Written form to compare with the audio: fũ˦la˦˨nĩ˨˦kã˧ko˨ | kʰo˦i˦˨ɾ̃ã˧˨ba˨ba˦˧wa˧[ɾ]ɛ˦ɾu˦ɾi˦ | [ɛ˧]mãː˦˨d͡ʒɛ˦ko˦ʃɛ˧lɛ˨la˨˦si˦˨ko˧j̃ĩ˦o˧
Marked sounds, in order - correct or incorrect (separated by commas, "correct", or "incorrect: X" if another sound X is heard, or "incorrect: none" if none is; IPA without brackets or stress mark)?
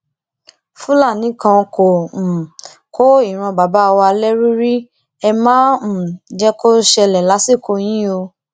incorrect: l, correct